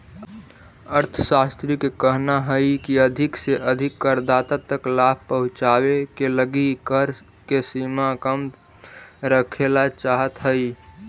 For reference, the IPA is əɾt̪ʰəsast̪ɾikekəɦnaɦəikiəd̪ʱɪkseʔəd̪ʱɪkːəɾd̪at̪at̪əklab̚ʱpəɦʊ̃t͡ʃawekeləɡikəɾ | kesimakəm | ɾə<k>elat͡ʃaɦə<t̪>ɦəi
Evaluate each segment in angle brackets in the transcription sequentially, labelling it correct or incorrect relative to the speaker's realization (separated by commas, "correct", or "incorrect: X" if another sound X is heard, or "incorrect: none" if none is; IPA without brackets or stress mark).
incorrect: kʰ, correct